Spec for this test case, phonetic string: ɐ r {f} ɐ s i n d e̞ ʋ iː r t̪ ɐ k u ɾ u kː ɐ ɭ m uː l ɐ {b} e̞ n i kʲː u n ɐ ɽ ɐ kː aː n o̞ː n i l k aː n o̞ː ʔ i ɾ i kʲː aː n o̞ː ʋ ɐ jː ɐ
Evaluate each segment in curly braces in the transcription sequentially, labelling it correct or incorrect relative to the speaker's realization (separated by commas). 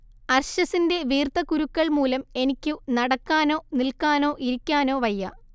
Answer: incorrect, incorrect